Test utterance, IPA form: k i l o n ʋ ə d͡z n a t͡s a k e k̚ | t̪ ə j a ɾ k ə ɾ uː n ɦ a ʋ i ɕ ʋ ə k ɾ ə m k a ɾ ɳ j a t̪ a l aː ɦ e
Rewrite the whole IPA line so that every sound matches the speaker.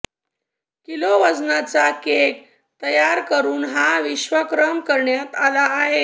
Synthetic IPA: k i l o ʋ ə d͡z n a t͡s a k e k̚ | t̪ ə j a ɾ k ə ɾ uː n ɦ a ʋ i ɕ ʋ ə k ɾ ə m k ə ɾ ɳ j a t̪ a l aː ɦ e